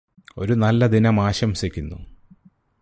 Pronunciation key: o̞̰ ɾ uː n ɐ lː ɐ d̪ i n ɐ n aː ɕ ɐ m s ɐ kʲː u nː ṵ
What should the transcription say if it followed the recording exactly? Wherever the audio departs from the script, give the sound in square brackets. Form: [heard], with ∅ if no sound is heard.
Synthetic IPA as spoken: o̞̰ ɾ [u] n ɐ lː ɐ d̪ i n ɐ [m] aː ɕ ɐ m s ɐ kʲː u nː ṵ